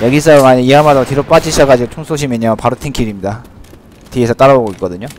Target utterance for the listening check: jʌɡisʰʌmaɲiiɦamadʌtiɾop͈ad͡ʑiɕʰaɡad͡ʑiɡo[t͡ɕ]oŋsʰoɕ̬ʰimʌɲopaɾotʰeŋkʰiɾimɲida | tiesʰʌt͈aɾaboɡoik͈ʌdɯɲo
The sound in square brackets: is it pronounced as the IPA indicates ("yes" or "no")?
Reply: no